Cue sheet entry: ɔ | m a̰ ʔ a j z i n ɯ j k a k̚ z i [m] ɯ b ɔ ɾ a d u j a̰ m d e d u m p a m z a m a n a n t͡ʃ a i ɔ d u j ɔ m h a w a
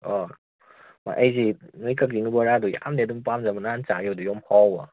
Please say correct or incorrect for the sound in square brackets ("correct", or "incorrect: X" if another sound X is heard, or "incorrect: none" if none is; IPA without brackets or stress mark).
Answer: incorrect: ŋ